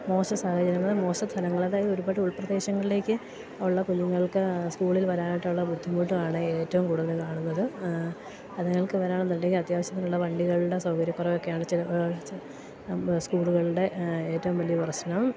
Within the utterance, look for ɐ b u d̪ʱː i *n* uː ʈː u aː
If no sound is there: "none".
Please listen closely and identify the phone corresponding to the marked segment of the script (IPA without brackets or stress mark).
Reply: m